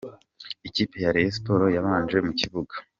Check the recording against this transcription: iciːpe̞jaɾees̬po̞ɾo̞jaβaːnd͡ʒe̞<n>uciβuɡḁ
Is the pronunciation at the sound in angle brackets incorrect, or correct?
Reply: incorrect: m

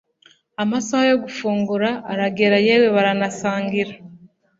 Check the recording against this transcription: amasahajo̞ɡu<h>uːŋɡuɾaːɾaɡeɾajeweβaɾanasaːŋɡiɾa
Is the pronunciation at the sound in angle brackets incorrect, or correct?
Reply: incorrect: f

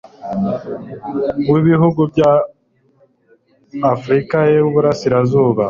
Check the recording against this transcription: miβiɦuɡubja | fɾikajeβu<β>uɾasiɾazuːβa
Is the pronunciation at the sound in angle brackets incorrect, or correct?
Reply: correct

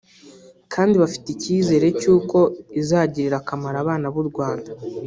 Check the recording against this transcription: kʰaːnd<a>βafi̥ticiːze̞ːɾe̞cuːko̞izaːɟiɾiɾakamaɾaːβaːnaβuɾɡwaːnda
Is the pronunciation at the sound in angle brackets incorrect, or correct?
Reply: incorrect: i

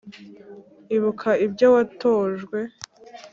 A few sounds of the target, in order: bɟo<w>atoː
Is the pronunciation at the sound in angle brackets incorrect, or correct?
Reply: correct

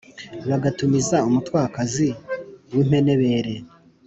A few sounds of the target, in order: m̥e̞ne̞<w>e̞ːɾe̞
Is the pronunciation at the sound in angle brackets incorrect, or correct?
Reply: incorrect: β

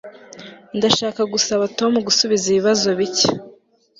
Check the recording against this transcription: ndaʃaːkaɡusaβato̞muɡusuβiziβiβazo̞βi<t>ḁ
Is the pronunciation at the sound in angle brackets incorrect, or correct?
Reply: incorrect: c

